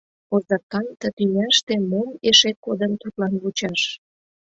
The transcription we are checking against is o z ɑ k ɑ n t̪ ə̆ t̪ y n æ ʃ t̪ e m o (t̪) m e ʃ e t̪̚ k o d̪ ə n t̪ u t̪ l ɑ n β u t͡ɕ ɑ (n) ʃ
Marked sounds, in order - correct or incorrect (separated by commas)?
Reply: incorrect, incorrect